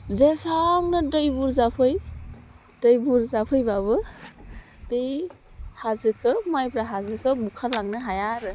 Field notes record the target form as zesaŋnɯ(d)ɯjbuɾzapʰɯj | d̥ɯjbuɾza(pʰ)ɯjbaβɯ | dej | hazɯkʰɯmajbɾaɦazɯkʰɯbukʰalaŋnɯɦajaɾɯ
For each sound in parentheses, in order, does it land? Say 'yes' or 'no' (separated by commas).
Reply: yes, yes